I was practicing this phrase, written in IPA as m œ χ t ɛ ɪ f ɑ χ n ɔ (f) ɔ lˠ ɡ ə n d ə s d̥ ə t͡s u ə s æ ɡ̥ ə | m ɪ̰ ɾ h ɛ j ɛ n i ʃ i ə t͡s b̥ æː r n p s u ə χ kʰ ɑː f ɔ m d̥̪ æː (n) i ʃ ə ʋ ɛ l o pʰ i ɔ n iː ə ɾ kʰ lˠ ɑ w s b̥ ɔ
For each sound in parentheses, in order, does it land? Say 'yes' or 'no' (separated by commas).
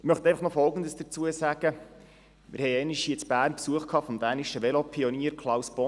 yes, yes